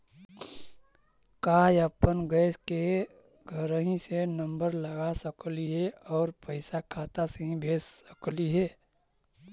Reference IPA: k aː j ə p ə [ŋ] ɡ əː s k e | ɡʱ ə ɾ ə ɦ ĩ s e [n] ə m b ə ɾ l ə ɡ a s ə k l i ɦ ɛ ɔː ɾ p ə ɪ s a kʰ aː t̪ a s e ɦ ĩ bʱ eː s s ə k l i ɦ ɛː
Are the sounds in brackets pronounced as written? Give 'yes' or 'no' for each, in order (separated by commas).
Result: no, yes